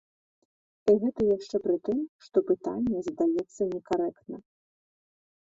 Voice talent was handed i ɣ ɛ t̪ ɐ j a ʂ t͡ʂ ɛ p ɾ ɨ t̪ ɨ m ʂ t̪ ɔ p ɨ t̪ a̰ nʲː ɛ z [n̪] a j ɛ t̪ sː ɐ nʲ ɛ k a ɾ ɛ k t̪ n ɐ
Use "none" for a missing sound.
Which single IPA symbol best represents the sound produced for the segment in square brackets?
d̪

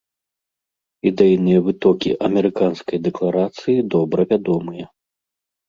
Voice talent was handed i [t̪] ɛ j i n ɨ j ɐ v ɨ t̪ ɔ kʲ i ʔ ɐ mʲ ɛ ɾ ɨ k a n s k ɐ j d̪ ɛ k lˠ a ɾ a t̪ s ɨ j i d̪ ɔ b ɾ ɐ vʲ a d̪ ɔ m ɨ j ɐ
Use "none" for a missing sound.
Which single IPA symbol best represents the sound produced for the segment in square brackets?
d̪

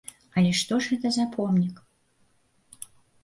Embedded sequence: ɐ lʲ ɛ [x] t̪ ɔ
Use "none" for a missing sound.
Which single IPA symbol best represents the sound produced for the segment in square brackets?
ʂ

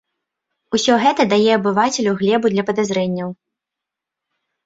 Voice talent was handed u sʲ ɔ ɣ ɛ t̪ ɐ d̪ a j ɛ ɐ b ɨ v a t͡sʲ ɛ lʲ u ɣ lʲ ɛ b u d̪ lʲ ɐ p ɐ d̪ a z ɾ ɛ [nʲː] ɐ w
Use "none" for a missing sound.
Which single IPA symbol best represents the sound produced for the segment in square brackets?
nʲː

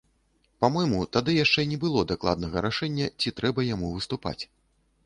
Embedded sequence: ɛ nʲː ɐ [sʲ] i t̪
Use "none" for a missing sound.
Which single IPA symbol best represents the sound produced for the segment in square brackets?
t͡sʲ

